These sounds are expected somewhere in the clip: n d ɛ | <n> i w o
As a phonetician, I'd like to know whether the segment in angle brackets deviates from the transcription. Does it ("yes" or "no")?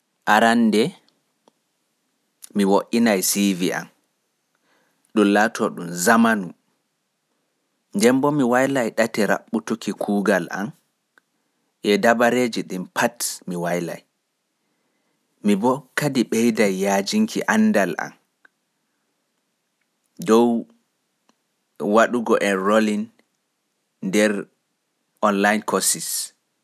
yes